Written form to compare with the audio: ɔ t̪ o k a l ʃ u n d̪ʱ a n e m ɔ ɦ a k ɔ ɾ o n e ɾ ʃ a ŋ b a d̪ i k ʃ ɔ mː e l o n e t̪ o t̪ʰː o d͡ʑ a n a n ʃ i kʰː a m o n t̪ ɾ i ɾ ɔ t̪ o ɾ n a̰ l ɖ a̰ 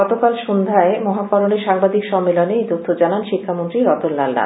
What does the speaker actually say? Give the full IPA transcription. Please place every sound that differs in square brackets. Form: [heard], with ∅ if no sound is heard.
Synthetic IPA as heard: ɔ t̪ o k a l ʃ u n d̪ʱ a [∅] e m ɔ ɦ a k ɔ ɾ o n e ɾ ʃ a ŋ b a d̪ i k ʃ ɔ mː e l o n e t̪ o t̪ʰː o d͡ʑ a n a n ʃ i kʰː a m o n t̪ ɾ i ɾ ɔ t̪ o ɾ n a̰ l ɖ a̰

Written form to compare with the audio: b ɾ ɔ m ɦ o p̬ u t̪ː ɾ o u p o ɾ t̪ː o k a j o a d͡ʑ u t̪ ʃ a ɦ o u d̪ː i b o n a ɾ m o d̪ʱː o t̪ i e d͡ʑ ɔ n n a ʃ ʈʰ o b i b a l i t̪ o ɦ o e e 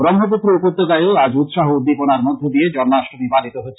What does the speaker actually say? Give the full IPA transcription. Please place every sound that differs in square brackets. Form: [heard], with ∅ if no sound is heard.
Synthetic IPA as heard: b ɾ ɔ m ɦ o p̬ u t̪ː ɾ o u p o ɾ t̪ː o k a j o a d͡ʑ u t̪ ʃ a ɦ o u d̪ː i [p] o n a ɾ m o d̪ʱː o [d̪] i e d͡ʑ ɔ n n a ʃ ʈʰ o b i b a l i t̪ o ɦ o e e

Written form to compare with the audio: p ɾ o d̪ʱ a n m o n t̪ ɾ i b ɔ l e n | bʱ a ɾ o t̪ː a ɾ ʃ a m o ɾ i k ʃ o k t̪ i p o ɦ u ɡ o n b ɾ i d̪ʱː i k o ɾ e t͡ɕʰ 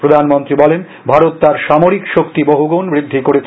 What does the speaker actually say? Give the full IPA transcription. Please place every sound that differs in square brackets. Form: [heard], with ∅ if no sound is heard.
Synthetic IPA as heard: p ɾ o d̪ʱ a n m o n t̪ ɾ i b ɔ l e n | bʱ a ɾ o t̪ː a ɾ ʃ a m o ɾ i k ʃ o k t̪ i [b] o ɦ u ɡ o n b ɾ i d̪ʱː i k o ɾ e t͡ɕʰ

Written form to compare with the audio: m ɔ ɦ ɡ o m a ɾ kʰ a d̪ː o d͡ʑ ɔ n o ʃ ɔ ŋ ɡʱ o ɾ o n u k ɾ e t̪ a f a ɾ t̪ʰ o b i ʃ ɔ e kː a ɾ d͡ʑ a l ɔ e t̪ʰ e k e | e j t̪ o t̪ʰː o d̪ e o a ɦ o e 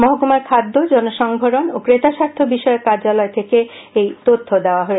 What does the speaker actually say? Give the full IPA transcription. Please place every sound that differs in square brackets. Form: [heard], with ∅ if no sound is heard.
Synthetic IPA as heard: m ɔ ɦ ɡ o m a ɾ kʰ a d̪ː o d͡ʑ ɔ n o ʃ ɔ ŋ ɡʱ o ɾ o n [o] k ɾ e t̪ a [ʃ] a ɾ t̪ʰ o b i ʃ ɔ e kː a ɾ d͡ʑ a l ɔ e t̪ʰ e k e | e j t̪ o t̪ʰː o d̪ e o a ɦ o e

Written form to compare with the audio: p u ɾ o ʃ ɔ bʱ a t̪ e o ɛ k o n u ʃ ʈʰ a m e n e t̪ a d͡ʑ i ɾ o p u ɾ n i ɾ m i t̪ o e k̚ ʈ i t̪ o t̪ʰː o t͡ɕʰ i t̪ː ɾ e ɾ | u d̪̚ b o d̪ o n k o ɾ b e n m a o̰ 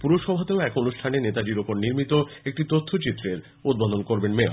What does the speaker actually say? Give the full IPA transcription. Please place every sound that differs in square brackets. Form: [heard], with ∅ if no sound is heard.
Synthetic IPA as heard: p u ɾ o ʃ ɔ bʱ a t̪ e o ɛ k o n u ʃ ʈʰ a [n] e n e t̪ a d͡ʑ i ɾ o p [o] ɾ n i ɾ m i t̪ o e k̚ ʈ i t̪ o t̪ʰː o [t͡ɕ] i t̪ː ɾ e ɾ | u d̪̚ b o d̪ o n k o ɾ b e n m [e] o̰

